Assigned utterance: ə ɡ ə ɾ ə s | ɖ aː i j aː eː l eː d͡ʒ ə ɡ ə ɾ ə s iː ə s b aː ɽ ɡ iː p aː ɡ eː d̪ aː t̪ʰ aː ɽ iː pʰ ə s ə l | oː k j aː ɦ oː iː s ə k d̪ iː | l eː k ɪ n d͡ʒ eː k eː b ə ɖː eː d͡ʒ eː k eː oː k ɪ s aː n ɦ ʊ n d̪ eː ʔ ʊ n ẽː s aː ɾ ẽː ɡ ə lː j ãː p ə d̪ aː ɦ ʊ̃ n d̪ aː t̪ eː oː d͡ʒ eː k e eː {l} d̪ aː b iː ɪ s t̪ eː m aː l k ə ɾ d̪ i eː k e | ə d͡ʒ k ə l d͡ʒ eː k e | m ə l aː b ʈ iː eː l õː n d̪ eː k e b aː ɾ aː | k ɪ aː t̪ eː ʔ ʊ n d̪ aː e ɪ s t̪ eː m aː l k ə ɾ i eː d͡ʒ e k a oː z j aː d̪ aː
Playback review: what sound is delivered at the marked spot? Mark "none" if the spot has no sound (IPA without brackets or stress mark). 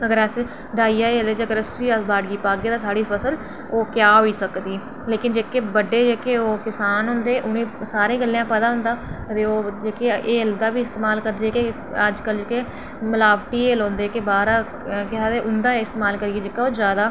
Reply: l